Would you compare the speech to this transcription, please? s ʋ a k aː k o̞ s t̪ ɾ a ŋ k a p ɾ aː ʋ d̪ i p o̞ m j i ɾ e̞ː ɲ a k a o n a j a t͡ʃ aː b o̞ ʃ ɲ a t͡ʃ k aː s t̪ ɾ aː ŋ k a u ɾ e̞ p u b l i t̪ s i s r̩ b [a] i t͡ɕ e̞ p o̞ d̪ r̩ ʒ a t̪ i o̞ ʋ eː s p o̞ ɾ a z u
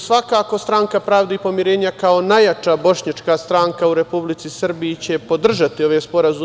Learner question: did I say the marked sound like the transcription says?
no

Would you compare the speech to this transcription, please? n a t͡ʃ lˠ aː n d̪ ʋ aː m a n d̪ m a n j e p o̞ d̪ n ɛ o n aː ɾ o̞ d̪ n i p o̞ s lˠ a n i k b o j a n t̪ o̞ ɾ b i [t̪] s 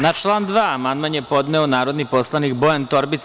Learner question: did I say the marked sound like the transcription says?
yes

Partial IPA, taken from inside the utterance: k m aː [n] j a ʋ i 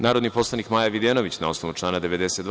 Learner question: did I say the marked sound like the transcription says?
no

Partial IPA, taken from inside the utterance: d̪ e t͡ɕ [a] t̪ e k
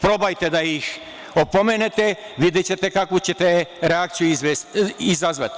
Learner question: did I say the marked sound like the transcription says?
no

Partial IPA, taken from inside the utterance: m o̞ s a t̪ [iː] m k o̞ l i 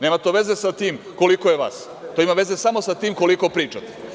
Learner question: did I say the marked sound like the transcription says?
yes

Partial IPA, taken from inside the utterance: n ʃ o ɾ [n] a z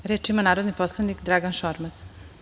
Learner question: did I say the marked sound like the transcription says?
no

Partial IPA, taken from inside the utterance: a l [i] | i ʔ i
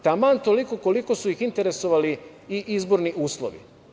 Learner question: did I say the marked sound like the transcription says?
yes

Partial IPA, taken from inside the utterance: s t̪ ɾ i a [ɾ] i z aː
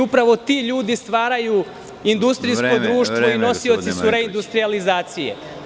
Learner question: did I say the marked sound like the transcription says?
no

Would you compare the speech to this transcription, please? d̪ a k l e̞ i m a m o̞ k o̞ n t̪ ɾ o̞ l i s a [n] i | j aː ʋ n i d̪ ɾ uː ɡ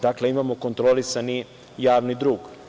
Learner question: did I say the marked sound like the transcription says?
yes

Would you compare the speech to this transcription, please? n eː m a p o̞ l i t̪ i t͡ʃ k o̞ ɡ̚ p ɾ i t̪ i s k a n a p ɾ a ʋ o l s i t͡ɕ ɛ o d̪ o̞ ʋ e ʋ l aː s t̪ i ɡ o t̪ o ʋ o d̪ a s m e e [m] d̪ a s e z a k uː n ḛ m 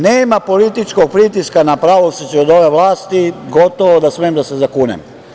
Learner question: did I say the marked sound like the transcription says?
yes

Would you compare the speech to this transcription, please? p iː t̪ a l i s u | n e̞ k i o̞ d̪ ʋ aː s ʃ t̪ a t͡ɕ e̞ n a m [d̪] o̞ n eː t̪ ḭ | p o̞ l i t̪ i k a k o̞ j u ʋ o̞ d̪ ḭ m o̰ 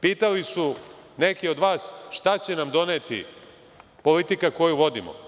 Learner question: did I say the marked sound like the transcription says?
yes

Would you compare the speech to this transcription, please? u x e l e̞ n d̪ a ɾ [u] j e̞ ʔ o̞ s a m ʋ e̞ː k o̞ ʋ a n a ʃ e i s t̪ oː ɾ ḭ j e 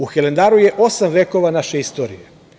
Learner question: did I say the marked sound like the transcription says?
yes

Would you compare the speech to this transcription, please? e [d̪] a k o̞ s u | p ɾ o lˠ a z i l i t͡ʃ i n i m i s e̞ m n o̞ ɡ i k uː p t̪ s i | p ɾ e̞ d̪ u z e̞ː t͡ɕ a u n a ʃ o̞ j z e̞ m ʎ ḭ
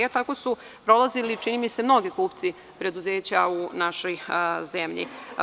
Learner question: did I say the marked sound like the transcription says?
no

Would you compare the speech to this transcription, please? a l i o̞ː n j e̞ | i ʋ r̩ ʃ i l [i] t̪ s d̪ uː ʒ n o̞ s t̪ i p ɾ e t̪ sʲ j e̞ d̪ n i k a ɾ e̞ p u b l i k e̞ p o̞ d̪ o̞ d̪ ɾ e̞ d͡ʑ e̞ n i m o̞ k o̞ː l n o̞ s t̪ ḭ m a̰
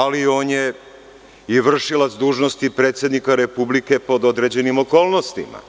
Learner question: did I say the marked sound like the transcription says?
no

